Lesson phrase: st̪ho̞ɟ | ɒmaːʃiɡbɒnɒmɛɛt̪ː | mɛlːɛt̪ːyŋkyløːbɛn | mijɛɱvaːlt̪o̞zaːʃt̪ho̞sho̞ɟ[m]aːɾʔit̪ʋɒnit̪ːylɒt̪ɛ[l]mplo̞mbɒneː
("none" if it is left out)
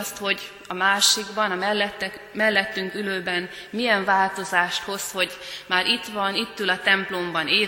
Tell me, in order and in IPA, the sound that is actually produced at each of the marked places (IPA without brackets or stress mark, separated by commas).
m, none